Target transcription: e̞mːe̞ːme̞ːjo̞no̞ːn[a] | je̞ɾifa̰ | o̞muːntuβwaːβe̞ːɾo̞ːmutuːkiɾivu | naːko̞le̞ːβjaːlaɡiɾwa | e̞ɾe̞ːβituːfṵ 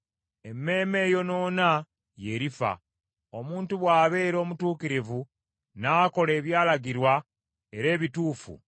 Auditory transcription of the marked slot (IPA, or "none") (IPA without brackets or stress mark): a